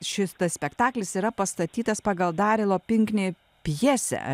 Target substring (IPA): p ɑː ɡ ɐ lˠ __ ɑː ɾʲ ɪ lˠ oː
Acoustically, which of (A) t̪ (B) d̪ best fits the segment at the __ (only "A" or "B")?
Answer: B